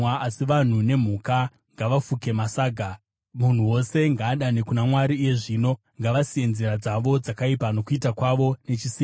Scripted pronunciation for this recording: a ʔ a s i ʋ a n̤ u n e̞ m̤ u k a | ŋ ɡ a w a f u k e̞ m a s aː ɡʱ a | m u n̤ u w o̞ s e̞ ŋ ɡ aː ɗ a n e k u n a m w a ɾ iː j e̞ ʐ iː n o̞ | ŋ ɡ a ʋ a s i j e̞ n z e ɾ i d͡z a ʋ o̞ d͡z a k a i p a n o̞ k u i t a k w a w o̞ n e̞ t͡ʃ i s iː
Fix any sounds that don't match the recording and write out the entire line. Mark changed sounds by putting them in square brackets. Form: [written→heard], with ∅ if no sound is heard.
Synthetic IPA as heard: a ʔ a s i ʋ a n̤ u n e̞ m̤ u k a | ŋ ɡ a [w→ʋ] a f u k e̞ m a s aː ɡʱ a | m u n̤ u w o̞ s e̞ ŋ ɡ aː ɗ a n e k u n a m w a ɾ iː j e̞ ʐ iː n o̞ | ŋ ɡ a ʋ a s i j e̞ n z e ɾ [i→a] d͡z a ʋ o̞ d͡z a k a i p a n o̞ k u i t a k w a [w→ʋ] o̞ n e̞ t͡ʃ i s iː